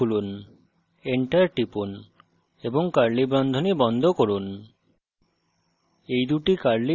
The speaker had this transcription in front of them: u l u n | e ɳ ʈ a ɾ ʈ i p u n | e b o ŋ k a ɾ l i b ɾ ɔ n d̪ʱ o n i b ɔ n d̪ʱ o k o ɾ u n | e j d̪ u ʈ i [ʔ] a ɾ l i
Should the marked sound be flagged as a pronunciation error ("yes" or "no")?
yes